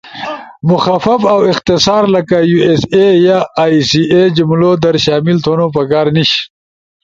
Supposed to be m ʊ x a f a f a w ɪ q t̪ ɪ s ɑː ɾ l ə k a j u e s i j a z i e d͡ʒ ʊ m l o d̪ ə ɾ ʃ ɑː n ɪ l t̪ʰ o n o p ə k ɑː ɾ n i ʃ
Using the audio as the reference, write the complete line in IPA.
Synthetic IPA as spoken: m ʊ x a f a f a w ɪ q t̪ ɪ s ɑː ɾ l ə k a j u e s e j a s i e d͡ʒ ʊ m l o d̪ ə ɾ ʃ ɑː m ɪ l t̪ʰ o n o p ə k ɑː ɾ n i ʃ